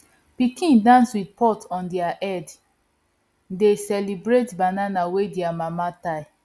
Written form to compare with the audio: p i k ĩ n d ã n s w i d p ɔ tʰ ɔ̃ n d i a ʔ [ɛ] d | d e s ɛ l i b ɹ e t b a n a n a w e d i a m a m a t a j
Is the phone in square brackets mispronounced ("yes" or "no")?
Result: no